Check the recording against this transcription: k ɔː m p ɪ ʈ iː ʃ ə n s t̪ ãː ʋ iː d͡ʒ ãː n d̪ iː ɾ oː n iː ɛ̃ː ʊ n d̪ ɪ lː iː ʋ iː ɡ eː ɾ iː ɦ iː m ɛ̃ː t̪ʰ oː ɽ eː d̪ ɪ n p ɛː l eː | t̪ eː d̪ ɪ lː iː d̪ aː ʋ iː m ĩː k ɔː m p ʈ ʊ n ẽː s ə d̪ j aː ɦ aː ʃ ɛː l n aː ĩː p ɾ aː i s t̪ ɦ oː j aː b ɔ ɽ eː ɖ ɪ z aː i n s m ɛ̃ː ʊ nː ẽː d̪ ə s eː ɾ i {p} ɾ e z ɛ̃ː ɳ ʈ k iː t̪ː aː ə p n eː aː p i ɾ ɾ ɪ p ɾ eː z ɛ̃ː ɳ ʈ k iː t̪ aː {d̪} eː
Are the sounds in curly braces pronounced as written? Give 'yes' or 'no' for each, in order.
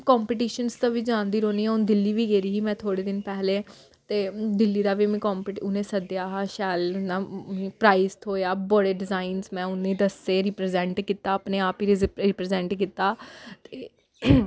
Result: yes, no

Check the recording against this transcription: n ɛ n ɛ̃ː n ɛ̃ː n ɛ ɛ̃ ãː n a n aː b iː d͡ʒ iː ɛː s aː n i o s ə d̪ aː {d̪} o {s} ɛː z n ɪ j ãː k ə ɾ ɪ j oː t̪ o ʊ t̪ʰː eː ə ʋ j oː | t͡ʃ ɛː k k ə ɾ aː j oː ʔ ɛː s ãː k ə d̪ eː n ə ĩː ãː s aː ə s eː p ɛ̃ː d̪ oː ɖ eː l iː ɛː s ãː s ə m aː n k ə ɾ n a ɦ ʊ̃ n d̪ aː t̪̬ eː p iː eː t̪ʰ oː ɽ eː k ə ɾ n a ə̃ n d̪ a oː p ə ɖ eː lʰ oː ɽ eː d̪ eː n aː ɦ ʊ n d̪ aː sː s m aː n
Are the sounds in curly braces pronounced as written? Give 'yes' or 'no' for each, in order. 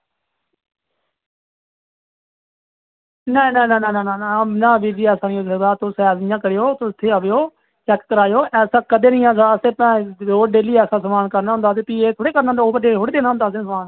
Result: no, yes

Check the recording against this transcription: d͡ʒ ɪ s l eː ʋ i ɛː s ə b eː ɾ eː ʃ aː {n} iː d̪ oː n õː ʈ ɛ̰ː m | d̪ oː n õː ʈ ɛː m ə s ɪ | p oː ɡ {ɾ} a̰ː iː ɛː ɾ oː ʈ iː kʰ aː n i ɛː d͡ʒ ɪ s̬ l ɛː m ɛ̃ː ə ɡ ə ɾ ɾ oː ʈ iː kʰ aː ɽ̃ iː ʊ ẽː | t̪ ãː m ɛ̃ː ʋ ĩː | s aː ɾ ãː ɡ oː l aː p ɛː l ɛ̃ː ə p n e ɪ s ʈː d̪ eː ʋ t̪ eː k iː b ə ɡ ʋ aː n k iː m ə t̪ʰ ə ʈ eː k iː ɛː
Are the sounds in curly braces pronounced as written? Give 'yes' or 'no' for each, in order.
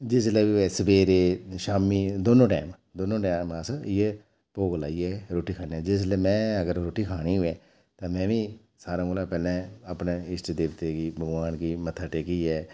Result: no, no

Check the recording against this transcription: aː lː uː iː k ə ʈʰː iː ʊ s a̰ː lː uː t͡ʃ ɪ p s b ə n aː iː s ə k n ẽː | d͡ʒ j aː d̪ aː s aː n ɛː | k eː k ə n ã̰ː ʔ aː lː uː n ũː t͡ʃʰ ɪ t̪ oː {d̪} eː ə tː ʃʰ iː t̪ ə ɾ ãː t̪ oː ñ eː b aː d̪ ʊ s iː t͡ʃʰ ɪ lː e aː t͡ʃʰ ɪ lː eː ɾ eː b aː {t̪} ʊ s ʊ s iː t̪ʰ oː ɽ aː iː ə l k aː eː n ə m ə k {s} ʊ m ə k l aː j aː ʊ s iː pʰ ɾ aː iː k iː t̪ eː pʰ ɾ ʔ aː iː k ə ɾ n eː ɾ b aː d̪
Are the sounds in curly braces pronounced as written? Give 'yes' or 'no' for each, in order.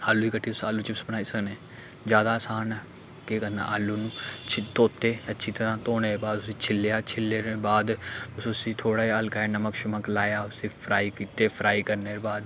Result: no, no, no

